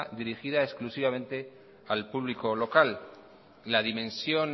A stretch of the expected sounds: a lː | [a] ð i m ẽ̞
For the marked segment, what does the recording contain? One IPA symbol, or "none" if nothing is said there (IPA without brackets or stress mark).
a